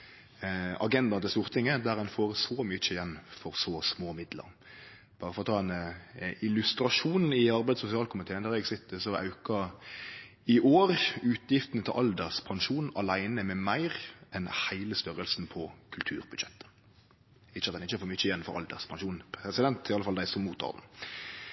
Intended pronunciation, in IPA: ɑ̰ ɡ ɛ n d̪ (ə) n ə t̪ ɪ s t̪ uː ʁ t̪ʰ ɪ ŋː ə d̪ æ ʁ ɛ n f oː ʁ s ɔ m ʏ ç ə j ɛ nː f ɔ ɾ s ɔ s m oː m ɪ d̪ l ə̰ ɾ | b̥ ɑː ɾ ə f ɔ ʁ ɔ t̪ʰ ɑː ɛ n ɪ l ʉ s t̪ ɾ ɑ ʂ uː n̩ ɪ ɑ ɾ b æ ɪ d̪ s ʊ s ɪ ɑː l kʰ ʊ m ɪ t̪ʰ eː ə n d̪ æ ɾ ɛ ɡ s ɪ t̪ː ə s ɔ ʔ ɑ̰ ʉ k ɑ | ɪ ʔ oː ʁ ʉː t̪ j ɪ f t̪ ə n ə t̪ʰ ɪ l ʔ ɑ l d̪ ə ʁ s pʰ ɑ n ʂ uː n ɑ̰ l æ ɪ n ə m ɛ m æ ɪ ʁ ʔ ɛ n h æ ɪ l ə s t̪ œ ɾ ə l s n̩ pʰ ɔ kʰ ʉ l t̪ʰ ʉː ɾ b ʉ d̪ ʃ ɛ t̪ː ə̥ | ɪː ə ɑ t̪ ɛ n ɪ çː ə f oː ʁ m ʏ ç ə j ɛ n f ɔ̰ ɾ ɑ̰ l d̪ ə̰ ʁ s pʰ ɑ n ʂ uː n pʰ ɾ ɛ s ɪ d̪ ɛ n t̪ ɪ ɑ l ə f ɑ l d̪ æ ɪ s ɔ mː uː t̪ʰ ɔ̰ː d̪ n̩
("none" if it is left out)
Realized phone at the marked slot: ɑ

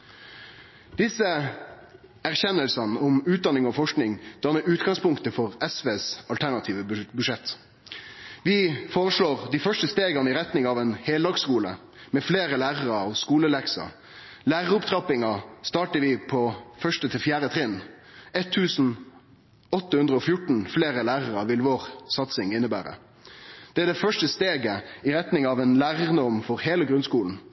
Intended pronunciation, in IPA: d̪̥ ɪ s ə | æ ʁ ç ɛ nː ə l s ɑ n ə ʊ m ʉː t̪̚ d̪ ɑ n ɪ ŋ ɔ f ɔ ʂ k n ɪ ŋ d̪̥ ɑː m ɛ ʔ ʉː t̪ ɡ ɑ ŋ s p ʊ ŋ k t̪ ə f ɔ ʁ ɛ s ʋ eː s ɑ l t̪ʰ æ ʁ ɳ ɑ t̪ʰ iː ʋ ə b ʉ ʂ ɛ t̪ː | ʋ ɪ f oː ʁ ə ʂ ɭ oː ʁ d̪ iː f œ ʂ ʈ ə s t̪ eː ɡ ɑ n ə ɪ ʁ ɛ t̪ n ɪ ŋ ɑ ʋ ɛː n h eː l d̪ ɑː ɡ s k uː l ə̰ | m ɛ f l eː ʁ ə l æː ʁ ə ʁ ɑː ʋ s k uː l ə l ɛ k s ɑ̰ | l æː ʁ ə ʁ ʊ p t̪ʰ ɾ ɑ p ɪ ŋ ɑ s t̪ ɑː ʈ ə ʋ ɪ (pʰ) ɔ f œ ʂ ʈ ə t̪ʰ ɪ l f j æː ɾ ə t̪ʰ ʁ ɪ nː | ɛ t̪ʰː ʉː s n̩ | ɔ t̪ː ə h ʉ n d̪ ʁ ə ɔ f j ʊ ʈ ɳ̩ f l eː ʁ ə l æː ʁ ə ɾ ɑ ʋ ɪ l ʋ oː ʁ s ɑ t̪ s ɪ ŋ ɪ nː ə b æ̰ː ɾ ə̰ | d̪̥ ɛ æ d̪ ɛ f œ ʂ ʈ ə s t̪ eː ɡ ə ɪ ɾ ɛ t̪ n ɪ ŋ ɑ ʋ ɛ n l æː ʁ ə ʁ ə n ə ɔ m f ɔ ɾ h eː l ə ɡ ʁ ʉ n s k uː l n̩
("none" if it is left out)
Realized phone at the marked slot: pʰ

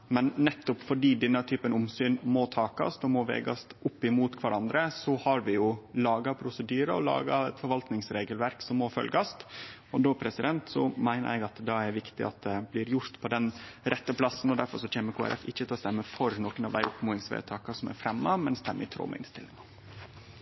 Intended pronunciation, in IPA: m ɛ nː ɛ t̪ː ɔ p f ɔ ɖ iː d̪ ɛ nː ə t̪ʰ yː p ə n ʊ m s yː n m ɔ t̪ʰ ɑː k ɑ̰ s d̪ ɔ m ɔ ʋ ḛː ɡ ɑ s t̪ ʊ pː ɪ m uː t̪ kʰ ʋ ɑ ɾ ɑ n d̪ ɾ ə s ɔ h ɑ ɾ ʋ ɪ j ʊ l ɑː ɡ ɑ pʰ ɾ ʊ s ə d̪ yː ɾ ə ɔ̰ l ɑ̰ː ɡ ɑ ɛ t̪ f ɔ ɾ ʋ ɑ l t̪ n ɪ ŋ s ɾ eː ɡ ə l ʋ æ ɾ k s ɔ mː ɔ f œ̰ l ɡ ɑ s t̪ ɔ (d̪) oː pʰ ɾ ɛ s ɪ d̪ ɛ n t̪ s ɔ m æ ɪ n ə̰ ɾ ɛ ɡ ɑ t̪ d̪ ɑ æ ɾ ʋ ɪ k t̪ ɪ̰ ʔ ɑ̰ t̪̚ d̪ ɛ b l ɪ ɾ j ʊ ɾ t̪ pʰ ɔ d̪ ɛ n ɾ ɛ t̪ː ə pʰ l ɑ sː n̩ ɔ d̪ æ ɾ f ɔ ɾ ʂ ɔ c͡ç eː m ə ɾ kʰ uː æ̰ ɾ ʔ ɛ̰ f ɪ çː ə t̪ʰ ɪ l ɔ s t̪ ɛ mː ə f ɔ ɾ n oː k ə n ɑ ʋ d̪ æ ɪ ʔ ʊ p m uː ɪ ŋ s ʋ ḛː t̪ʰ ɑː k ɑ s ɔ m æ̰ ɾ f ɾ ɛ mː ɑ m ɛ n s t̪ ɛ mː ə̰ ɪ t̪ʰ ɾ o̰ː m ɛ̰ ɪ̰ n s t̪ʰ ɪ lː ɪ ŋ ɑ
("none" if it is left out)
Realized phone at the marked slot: d̪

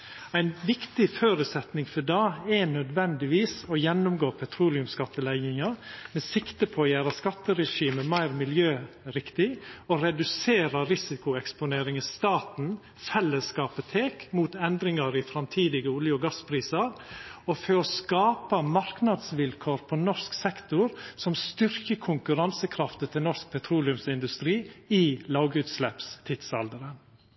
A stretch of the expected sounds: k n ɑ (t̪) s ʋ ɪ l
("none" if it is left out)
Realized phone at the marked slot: d̪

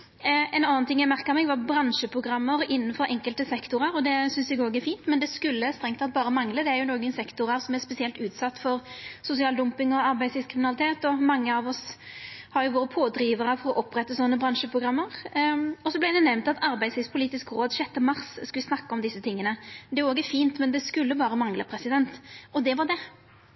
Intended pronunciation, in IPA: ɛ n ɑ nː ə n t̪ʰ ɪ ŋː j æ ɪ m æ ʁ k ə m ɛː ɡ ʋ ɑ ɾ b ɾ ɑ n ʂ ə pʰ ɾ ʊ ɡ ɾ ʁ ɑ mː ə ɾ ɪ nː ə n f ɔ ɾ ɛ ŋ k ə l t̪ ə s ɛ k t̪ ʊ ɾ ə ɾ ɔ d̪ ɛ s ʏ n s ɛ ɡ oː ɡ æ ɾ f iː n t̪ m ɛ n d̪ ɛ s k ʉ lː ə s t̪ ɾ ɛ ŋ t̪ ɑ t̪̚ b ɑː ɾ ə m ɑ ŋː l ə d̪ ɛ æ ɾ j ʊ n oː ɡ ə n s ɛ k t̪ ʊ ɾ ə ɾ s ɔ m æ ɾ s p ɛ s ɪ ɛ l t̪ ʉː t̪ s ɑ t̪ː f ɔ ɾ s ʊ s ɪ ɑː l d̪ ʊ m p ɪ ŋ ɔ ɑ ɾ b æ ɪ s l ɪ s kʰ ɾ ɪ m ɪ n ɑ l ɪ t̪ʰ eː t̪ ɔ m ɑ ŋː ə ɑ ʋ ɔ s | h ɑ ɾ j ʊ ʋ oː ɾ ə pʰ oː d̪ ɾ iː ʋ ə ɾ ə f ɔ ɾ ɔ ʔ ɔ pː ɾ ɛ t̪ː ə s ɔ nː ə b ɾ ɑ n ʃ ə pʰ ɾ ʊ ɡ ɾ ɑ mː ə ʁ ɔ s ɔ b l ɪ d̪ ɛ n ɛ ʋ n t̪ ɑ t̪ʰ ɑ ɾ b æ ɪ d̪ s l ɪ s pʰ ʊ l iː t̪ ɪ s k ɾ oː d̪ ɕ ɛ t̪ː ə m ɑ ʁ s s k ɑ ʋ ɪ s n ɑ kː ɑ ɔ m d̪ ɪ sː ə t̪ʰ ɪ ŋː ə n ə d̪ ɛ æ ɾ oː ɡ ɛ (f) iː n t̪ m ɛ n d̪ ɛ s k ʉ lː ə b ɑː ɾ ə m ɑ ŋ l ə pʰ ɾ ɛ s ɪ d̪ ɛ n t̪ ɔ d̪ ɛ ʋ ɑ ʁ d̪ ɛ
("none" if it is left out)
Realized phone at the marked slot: f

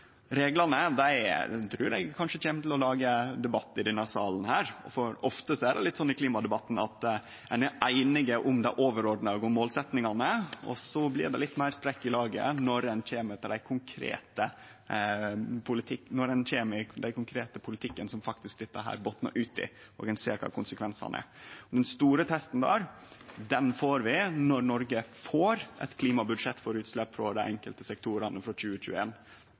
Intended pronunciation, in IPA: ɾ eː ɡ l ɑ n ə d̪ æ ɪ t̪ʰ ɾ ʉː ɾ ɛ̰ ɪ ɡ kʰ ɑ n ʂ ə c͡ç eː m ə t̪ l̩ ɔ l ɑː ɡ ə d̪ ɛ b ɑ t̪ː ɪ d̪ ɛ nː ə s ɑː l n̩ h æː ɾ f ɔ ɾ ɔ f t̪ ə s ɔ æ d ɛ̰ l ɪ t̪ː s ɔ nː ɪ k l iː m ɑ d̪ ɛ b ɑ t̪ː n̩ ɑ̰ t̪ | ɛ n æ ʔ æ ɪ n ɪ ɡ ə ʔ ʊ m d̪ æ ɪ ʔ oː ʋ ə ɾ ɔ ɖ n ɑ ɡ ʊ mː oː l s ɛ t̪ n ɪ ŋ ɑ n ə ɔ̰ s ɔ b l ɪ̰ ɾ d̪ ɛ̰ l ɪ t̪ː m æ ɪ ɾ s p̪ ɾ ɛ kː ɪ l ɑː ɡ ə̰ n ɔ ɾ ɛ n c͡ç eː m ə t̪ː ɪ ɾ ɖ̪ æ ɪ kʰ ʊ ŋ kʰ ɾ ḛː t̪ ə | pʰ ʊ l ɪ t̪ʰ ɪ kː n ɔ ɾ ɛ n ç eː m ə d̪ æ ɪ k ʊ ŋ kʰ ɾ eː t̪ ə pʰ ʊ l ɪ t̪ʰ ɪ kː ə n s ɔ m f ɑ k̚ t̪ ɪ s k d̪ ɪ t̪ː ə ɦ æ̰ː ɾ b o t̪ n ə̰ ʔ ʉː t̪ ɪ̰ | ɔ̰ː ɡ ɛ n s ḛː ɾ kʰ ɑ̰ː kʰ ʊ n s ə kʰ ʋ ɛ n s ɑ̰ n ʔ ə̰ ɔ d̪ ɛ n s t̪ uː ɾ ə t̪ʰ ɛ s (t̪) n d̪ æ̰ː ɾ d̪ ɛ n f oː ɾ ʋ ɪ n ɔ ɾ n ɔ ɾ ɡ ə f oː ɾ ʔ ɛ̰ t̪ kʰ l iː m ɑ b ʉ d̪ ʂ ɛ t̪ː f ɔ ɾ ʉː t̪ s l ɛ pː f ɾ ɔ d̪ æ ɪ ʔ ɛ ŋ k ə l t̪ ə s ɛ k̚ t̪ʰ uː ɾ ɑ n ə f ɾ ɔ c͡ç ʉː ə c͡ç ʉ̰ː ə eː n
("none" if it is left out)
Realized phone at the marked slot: t̪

